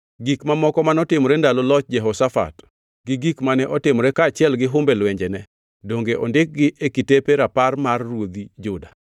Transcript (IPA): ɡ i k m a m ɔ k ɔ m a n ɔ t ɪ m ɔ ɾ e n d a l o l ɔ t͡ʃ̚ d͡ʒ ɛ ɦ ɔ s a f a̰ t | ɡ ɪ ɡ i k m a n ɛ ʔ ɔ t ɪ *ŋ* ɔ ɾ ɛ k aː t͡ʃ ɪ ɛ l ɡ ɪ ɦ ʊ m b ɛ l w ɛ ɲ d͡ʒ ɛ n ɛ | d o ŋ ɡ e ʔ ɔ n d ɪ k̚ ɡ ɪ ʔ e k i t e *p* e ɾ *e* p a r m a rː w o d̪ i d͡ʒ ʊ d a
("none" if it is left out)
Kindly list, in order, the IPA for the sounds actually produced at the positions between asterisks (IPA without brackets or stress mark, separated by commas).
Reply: m, p, a